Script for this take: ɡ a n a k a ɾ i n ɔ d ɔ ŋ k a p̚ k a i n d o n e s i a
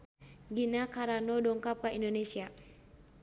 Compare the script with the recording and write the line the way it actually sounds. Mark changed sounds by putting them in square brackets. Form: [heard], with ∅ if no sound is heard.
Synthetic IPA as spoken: ɡ [i] n a k a ɾ [a] n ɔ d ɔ ŋ k a p̚ k a i n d o n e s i a